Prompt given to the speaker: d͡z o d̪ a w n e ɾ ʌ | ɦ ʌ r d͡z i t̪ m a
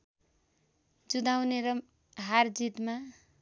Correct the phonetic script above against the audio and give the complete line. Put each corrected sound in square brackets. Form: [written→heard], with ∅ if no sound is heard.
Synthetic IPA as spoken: d͡z [o→u] d̪ a w n e ɾ ʌ | ɦ [ʌ→a] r d͡z i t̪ m a